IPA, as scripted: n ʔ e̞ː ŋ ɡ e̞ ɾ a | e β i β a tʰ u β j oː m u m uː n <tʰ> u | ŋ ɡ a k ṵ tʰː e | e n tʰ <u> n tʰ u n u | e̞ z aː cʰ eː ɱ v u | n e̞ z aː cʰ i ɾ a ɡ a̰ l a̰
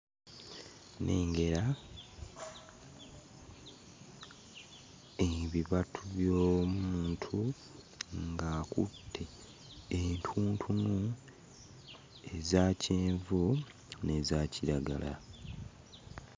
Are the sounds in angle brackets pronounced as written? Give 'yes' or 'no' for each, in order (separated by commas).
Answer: yes, no